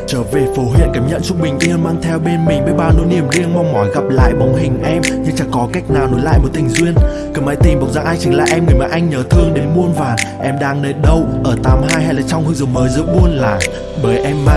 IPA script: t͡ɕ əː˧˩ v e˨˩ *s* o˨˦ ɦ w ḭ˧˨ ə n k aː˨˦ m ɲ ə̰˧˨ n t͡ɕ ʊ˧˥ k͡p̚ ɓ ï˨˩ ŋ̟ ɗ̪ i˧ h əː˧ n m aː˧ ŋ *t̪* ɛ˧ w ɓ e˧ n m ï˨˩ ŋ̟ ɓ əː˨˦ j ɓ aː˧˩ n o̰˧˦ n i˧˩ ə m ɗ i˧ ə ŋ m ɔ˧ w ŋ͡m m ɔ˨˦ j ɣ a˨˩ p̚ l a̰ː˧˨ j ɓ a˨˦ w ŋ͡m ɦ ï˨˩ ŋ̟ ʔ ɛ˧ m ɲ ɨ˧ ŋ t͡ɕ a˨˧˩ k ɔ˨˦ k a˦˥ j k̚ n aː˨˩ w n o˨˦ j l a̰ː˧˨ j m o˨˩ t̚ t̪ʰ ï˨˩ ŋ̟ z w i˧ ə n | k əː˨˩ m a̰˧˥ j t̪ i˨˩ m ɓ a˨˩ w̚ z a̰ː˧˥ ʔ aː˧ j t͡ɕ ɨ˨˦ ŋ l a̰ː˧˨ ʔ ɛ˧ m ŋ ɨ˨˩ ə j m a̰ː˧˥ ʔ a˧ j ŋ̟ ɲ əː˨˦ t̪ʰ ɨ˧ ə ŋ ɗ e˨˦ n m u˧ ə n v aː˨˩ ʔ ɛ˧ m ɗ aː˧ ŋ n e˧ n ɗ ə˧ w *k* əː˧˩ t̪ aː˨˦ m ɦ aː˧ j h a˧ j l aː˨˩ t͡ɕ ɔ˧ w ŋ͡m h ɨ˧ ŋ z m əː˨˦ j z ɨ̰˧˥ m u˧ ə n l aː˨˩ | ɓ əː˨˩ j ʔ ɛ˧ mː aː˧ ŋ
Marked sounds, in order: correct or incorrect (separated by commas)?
incorrect, incorrect, incorrect